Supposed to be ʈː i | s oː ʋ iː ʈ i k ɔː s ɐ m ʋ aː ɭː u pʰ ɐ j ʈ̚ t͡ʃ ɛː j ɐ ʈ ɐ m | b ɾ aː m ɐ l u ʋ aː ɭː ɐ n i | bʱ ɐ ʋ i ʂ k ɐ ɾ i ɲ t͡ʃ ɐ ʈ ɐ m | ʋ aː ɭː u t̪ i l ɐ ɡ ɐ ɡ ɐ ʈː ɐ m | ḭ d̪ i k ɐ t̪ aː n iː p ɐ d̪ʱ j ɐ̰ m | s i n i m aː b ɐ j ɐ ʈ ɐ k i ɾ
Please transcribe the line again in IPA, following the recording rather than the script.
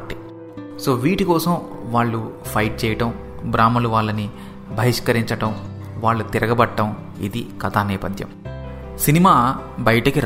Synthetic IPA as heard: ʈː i | s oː ʋ iː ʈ i k ɔː s ɐ m ʋ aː ɭː u pʰ ɐ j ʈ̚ t͡ʃ ɛː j ɐ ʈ ɐ m | b ɾ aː m ɐ l u ʋ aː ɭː ɐ n i | bʱ ɐ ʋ i ʂ k ɐ ɾ i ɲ t͡ʃ ɐ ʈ ɐ m | ʋ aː ɭː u t̪ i ɾ ɐ ɡ ɐ b ɐ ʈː ɐ m | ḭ d̪ i k ɐ t̪ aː n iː p ɐ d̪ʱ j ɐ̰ m | s i n i m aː b ɐ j ɐ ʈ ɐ k i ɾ